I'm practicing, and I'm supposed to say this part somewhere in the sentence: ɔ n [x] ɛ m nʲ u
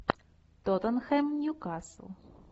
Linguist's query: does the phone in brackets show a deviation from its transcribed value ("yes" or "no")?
no